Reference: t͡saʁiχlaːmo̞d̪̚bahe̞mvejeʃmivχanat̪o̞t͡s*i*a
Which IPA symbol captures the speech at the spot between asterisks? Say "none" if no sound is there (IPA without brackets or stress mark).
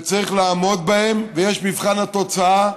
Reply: a